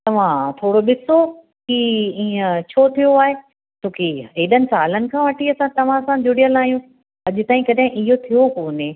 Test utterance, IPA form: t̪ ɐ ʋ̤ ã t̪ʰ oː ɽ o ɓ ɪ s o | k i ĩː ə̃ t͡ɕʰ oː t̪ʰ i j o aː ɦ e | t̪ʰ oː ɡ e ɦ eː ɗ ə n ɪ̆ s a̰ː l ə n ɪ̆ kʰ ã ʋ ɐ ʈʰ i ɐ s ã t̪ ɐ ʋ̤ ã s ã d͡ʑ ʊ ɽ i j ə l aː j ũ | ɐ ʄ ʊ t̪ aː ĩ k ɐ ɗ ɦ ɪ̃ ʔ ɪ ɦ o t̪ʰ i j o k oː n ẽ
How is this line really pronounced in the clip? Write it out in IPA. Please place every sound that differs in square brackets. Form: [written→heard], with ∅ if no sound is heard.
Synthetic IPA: t̪ ɐ ʋ̤ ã t̪ʰ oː ɽ o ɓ ɪ s o | k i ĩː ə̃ t͡ɕʰ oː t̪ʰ i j o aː ɦ e | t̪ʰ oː [ɡ→k] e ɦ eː ɗ ə n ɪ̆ s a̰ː l ə n ɪ̆ kʰ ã ʋ ɐ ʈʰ i ɐ s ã t̪ ɐ ʋ̤ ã s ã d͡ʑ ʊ ɽ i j ə l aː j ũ | ɐ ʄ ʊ t̪ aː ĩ k ɐ ɗ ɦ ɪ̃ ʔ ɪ ɦ o t̪ʰ i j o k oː n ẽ